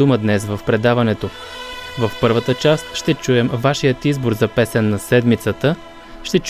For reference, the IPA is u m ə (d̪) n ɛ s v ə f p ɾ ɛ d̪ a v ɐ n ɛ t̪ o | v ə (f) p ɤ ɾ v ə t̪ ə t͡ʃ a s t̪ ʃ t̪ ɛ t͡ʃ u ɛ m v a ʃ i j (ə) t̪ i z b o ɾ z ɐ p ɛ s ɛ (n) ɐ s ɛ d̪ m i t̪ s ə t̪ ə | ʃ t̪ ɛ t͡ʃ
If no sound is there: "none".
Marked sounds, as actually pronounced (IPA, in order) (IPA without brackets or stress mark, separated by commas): d̪, f, ə, nː